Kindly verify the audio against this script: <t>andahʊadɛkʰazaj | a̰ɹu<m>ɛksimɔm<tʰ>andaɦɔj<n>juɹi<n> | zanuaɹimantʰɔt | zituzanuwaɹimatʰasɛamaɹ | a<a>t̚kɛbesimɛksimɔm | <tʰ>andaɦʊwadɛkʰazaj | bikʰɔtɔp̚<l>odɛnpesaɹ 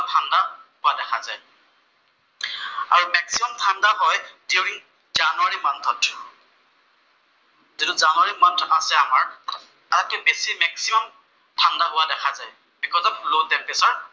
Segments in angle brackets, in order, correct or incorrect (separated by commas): incorrect, correct, correct, incorrect, incorrect, correct, correct, correct